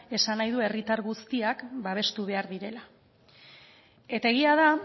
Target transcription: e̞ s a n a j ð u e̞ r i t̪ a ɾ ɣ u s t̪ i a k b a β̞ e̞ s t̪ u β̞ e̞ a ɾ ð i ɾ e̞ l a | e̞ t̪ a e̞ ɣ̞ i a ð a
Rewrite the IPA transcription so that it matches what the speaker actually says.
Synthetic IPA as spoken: e̞ s a n a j ð u e̞ r i t̪ a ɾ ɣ u s t̪ i a k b a β̞ e̞ s t̪ u β̞ e̞ a ɾ ð i ɾ e̞ l a | e̞ t̪ a e̞ ɣ̞ i a ð a